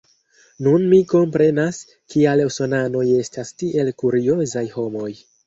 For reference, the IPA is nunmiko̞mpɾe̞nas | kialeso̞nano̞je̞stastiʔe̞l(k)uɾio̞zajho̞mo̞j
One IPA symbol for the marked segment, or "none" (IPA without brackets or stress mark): k